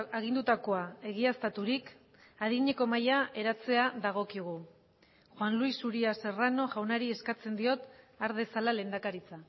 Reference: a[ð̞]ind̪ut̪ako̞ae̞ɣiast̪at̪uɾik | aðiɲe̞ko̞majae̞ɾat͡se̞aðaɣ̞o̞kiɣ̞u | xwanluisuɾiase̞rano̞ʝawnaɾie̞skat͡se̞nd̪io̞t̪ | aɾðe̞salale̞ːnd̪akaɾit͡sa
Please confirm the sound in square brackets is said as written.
no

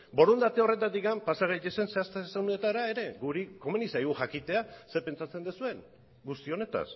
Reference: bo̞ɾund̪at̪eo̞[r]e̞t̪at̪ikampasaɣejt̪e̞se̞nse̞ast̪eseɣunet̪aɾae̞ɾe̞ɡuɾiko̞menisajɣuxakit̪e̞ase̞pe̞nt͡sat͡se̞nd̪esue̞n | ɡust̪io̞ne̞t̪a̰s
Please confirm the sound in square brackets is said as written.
yes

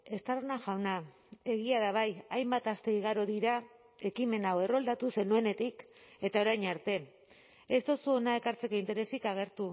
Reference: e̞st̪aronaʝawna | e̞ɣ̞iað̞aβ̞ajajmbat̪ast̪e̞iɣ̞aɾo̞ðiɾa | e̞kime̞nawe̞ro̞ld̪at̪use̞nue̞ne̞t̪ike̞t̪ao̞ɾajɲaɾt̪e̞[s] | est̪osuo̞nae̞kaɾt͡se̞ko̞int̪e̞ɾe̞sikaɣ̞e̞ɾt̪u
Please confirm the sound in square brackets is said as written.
no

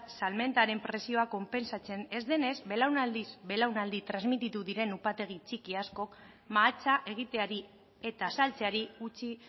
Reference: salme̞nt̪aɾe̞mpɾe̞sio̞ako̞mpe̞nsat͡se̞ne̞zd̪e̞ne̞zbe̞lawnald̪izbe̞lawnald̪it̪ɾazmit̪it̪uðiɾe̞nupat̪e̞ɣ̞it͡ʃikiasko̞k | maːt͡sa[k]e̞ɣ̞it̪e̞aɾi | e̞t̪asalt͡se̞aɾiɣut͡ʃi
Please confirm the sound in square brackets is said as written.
no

